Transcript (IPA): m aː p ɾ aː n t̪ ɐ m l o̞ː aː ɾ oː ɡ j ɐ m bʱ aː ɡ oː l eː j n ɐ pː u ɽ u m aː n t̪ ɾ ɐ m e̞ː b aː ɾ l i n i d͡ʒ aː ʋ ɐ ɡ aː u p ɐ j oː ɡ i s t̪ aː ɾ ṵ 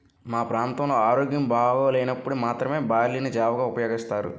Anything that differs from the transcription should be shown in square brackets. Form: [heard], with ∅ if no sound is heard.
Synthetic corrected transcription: m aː p ɾ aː n t̪ ɐ m l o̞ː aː ɾ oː ɡ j ɐ m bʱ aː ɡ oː l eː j n ɐ pː u ɽ u m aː [∅] t̪ ɾ ɐ m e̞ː b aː ɾ l i n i d͡ʒ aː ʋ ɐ ɡ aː u p ɐ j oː ɡ i s t̪ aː ɾ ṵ